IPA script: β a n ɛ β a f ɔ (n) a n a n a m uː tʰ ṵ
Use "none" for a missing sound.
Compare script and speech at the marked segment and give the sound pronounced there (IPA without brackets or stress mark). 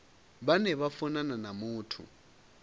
n